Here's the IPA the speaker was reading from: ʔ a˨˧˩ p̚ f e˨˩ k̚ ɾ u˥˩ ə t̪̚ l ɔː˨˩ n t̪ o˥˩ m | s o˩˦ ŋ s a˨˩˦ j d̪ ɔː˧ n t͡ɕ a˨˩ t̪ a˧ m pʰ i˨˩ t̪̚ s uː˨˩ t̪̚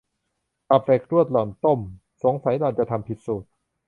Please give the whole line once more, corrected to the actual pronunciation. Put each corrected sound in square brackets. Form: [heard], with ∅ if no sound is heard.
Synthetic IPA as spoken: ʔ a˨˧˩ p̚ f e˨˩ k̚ ɾ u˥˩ ə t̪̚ l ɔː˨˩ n t̪ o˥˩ m | s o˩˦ ŋ s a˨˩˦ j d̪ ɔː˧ n t͡ɕ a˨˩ [t̪ʰ] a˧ m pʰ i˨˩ t̪̚ s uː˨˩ t̪̚